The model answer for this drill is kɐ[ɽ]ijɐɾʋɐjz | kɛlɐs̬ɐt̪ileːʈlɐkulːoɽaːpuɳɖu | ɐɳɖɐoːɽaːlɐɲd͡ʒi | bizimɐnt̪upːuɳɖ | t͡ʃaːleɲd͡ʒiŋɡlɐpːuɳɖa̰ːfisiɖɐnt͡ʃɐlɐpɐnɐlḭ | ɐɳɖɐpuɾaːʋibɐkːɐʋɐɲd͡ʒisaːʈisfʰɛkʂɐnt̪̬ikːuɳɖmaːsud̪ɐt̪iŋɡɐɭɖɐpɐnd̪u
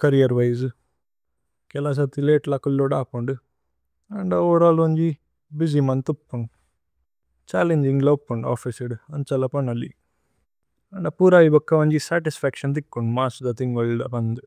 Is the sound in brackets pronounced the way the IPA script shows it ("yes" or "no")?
no